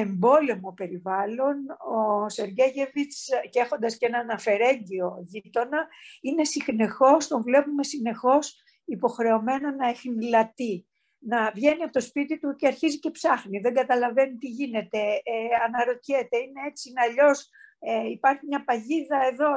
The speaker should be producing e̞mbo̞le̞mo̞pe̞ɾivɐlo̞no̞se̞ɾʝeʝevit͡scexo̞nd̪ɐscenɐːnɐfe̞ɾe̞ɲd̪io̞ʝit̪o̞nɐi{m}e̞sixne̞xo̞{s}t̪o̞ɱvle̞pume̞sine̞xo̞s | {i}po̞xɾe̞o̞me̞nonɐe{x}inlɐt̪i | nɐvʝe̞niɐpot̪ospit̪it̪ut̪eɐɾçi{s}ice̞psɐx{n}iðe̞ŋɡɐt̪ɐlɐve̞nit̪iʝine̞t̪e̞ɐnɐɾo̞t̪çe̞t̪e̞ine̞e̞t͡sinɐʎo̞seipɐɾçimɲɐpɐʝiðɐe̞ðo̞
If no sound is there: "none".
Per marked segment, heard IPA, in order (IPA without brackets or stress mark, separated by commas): n, s, i, x, z, n